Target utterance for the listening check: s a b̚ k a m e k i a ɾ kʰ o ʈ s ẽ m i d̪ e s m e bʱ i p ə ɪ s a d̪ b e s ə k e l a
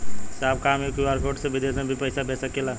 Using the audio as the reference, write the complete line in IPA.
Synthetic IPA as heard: s a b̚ k a m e k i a ɾ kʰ o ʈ s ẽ b i d̪ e s m e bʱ i p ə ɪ s a b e s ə k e l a